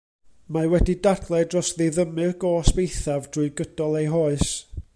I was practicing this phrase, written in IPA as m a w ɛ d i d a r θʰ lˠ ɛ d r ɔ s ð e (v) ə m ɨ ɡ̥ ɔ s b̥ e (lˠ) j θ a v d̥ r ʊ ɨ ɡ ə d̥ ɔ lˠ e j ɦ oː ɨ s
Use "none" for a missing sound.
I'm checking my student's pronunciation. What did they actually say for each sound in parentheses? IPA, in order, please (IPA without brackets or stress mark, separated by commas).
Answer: ð, none